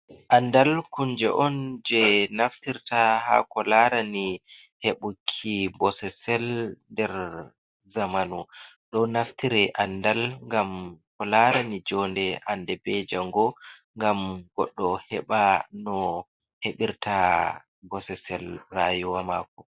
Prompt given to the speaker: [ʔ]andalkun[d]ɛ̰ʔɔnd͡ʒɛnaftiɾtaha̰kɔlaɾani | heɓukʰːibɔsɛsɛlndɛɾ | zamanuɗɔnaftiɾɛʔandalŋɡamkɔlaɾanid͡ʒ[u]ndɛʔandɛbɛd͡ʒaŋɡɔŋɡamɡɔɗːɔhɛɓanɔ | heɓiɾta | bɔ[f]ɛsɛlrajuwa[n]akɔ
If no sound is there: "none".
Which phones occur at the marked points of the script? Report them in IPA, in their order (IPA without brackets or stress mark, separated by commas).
ʔ, d͡ʒ, ɔ, s, m